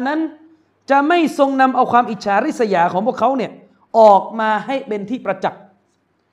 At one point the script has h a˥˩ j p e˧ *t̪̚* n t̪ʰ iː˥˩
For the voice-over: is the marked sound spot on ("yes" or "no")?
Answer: no